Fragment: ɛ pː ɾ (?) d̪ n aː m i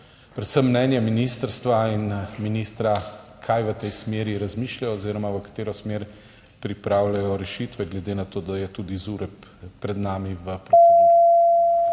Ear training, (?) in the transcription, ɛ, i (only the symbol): ɛ